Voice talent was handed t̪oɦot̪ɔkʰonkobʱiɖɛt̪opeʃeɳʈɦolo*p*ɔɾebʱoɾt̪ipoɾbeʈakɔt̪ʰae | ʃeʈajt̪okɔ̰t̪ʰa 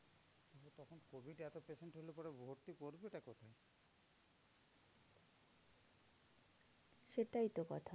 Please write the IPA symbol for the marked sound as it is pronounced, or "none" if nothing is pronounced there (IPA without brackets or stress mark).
p